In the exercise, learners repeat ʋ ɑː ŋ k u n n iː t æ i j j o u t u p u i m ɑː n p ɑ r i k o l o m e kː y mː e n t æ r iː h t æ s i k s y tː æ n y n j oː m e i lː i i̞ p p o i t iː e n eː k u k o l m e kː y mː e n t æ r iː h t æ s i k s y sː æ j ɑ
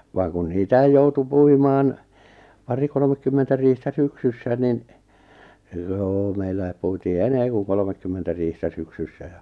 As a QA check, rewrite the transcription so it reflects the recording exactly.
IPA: ʋ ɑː ŋ k u n n iː t æ i j j o u t u p u i m ɑː n p ɑ r i k o l o m e kː y mː e n t æ r iː h t æ s y k s y sː æ n i n j oː m e i lː æ i̞ p p u i t iː e n eː k u k o l m e kː y mː e n t æ r iː h t æ s y k s y sː æ j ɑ